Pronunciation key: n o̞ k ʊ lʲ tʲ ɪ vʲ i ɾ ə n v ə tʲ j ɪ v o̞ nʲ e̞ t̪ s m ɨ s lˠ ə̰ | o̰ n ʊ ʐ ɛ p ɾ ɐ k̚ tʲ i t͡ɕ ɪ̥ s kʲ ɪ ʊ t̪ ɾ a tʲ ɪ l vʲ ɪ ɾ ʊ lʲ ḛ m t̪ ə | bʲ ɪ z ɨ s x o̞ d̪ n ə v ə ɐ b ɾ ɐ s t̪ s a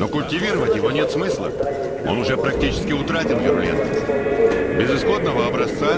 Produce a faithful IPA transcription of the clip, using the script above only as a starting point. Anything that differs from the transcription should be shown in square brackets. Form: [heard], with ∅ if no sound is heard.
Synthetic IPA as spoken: n o̞ k ʊ lʲ tʲ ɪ vʲ i ɾ ə [∅] v ə tʲ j ɪ v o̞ nʲ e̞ t̪ s m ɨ s lˠ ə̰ | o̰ n ʊ ʐ ɛ p ɾ ɐ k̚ tʲ i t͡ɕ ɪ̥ s kʲ ɪ ʊ t̪ ɾ a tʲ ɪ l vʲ ɪ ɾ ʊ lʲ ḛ [n] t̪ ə | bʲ ɪ z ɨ s x o̞ d̪ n ə v ə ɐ b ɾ ɐ s t̪ s a